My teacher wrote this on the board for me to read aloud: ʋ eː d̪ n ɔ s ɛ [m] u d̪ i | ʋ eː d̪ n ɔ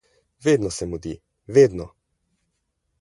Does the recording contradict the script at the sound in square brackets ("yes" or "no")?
no